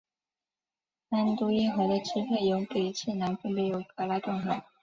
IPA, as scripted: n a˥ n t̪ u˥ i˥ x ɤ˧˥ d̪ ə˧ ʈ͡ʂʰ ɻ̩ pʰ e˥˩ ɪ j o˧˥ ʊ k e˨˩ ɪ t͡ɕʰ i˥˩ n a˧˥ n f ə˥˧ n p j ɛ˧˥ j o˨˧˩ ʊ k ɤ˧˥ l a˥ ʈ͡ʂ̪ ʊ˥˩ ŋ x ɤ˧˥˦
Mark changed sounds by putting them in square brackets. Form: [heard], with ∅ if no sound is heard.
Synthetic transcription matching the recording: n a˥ n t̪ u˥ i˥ x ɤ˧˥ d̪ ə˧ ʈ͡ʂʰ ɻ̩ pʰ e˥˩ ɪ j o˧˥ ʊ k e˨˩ ɪ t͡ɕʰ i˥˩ n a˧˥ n f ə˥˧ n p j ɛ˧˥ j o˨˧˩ ʊ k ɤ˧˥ l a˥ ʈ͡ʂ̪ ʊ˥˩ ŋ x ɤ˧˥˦